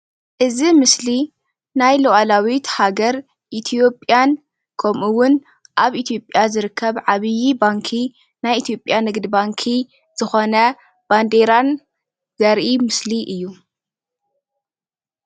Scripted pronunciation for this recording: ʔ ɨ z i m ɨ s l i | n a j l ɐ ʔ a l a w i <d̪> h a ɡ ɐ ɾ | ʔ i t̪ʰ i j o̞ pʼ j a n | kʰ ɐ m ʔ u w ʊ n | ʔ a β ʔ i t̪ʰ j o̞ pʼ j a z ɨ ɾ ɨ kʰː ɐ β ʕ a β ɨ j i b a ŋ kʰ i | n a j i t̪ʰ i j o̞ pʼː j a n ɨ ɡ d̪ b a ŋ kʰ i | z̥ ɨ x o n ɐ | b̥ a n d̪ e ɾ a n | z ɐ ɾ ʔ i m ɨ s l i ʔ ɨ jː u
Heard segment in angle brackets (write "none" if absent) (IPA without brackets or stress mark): t̪